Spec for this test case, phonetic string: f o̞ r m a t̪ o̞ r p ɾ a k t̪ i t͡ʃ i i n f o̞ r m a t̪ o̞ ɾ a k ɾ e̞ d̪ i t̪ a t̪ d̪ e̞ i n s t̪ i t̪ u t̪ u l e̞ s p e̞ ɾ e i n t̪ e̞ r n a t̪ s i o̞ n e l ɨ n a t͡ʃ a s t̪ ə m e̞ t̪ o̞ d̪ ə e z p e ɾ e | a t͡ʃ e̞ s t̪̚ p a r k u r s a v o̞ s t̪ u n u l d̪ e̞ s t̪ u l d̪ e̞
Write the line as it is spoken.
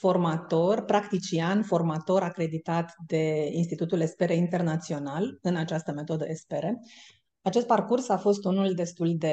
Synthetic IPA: f o̞ r m a t̪ o̞ r p ɾ a k t̪ i t͡ʃ i a n f o̞ r m a t̪ o̞ ɾ a k ɾ e̞ d̪ i t̪ a t̪ d̪ e̞ i n s t̪ i t̪ u t̪ u l e̞ s p e̞ ɾ e i n t̪ e̞ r n a t̪ s i o̞ n a l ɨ n a t͡ʃ a s t̪ ə m e̞ t̪ o̞ d̪ ə e s p e ɾ e | a t͡ʃ e̞ s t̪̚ p a r k u r s a f o̞ s t̪ u n u l d̪ e̞ s t̪ u l d̪ e̞